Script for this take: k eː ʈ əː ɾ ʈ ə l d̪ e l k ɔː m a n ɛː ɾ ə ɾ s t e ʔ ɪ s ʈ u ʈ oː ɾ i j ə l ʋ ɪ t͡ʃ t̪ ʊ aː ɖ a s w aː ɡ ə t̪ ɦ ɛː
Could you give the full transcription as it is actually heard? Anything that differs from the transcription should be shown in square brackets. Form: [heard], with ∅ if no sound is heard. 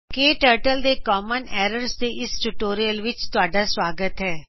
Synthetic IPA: k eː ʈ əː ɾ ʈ ə l d̪ e [∅] k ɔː m [ə] n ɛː ɾ ə ɾ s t e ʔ ɪ s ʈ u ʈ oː ɾ i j ə l ʋ ɪ t͡ʃ t̪ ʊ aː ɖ a s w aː ɡ ə t̪ ɦ ɛː